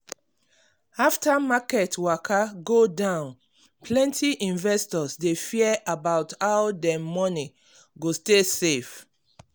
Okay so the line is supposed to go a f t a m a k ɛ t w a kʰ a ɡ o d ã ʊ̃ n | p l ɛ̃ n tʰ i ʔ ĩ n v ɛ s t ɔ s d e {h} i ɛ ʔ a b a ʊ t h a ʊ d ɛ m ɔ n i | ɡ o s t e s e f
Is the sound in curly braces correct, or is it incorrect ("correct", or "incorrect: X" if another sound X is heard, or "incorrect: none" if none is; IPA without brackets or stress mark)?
incorrect: f